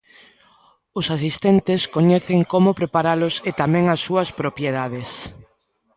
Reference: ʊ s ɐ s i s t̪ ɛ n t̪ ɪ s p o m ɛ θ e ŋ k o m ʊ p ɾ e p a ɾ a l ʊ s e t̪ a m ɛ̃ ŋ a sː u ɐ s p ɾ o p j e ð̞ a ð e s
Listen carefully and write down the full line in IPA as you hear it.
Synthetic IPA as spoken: ʊ s a s i s t̪ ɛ n t̪ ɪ s k o ɲ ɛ θ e ŋ k o m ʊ p ɾ e p a ɾ a l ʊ s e t̪ a m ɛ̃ ŋ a sː u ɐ s p ɾ o p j e ð̞ a ð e s